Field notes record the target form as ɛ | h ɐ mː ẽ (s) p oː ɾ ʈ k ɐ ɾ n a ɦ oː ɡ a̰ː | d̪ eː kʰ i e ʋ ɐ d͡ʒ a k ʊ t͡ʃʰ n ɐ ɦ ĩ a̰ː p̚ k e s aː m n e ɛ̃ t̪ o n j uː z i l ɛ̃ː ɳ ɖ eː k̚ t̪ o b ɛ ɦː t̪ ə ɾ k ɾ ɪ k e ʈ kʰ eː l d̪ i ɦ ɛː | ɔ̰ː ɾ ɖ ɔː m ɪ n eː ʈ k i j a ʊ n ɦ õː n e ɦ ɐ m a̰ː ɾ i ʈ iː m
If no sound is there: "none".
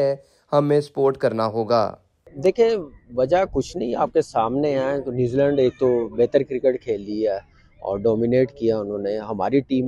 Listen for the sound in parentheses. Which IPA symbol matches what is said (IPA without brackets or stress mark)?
s